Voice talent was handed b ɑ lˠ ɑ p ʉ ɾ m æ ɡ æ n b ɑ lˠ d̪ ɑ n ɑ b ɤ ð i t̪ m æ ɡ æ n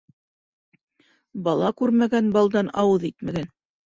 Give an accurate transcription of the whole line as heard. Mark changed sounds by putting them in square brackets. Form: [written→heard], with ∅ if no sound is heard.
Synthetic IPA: b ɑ lˠ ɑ [p→k] ʉ ɾ m æ ɡ æ n b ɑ lˠ d̪ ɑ n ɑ [b→w] ɤ ð i t̪ m æ ɡ æ n

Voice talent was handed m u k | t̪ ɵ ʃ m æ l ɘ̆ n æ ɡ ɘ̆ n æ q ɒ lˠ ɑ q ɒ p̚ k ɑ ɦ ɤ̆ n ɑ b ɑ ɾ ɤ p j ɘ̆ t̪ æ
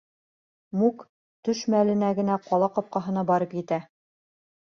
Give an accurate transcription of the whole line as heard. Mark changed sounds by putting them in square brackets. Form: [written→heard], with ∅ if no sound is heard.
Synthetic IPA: m u k | t̪ ɵ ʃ m æ l ɘ̆ n æ ɡ ɘ̆ n æ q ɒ lˠ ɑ q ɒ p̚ [k→q] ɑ ɦ ɤ̆ n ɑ b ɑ ɾ ɤ p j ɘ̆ t̪ æ

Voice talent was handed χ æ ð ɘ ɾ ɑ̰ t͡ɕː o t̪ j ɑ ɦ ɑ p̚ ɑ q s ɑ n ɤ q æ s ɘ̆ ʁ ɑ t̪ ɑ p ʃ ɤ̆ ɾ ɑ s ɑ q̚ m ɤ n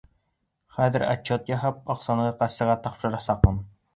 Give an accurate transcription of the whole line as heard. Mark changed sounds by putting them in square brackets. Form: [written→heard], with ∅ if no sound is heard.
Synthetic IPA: χ æ ð ɘ ɾ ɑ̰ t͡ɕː o t̪ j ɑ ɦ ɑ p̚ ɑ q s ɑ n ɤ q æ s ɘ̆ ʁ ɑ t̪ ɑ p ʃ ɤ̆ ɾ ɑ s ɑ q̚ m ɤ n

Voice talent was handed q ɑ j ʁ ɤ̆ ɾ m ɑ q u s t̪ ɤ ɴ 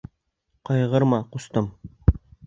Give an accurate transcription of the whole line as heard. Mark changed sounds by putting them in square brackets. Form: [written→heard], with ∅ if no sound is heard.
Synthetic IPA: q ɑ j ʁ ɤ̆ ɾ m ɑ q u s t̪ ɤ [ɴ→m]

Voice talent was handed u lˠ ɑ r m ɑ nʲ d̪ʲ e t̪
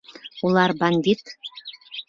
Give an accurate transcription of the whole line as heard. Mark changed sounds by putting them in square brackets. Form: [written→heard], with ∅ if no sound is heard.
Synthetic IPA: u lˠ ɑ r [m→b] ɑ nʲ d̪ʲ [e→i] t̪

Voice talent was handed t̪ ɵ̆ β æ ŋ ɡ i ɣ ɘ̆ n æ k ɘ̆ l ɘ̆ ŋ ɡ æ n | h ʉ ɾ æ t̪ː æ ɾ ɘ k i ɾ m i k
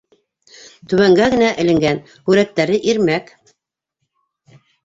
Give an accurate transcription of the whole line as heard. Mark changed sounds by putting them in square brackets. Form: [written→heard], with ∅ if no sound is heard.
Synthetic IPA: t̪ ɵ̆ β æ ŋ ɡ [i→æ] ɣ ɘ̆ n æ [k→ʔ] ɘ̆ l ɘ̆ ŋ ɡ æ n | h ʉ ɾ æ t̪ː æ ɾ ɘ [k→ʔ] i ɾ m [i→æ] k

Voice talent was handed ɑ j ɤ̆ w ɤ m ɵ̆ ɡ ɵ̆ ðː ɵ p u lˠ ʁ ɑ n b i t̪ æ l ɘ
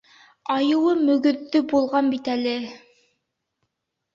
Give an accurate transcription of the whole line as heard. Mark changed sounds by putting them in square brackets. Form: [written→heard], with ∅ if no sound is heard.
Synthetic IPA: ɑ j ɤ̆ w ɤ m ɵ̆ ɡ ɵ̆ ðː ɵ [p→b] u lˠ ʁ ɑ n b i t̪ æ l ɘ

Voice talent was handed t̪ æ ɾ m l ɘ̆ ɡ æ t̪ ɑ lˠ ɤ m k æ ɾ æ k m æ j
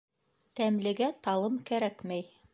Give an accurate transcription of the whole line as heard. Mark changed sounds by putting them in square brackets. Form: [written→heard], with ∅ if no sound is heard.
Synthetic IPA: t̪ æ [ɾ→∅] m l ɘ̆ ɡ æ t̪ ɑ lˠ ɤ m k æ ɾ æ k m æ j

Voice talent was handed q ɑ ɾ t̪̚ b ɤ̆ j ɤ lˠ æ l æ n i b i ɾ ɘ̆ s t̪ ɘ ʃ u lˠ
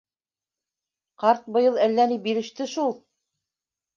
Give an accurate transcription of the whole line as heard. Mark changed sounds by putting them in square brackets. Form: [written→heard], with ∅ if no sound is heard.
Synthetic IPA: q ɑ ɾ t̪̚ b ɤ̆ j ɤ lˠ æ [l→lː] æ n i b i ɾ ɘ̆ [s→ʃ] t̪ ɘ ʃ u lˠ

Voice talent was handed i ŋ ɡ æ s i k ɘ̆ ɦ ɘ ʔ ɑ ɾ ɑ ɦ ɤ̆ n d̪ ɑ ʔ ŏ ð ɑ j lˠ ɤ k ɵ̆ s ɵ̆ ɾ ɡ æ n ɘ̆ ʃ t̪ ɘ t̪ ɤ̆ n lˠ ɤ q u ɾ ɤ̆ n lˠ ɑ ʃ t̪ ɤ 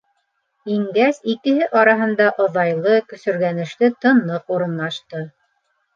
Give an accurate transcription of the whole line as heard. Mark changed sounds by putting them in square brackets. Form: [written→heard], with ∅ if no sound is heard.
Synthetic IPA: i ŋ ɡ æ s i k ɘ̆ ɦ ɘ ʔ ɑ ɾ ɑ ɦ ɤ̆ n d̪ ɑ ʔ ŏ ð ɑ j lˠ ɤ k ɵ̆ s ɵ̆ ɾ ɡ æ n ɘ̆ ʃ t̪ ɘ t̪ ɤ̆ n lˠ ɤ q u ɾ ɤ̆ n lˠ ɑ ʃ t̪ ɤ

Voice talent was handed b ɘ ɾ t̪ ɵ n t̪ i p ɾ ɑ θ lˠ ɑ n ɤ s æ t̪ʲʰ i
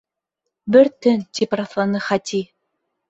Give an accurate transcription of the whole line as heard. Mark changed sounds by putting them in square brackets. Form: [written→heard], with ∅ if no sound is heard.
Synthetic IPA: b ɘ ɾ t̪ ɵ n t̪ i p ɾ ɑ θ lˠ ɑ n ɤ [s→χ] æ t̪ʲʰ i

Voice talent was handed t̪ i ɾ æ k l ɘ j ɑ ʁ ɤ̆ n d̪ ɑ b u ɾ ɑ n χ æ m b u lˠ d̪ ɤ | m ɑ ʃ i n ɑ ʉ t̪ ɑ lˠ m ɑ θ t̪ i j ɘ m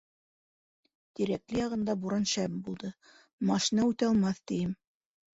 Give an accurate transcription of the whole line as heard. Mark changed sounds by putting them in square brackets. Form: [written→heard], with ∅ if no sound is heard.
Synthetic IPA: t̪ i ɾ æ k l ɘ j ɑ ʁ ɤ̆ n d̪ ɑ b u ɾ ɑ n [χ→ʃ] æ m b u lˠ d̪ ɤ | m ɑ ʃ i n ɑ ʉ t̪ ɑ lˠ m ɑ θ t̪ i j ɘ m

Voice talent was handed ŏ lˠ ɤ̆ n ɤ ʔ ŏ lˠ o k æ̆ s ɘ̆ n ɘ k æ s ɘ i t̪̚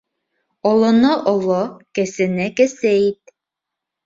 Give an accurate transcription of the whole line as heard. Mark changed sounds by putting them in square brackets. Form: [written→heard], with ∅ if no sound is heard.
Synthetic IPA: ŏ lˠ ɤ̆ n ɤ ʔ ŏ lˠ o k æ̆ s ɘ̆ n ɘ k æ s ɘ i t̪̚

